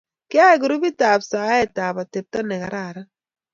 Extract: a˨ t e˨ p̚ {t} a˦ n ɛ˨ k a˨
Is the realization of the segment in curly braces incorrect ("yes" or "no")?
no